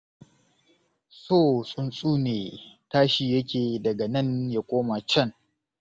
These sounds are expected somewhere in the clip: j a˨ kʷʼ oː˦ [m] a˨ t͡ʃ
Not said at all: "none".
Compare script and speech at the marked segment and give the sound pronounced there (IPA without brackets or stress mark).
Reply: m